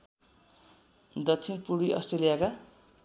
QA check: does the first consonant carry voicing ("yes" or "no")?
yes